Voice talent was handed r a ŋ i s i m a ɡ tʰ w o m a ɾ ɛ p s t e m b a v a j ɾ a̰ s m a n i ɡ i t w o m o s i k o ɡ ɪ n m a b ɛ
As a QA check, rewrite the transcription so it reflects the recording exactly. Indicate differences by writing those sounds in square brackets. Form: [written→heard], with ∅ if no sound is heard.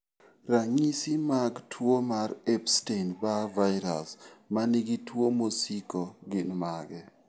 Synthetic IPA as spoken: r a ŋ i s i m a ɡ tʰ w o m a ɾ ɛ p s t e [m→n] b a v a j ɾ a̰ s m a n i ɡ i t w o m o s i k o ɡ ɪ n m a [b→ɡ] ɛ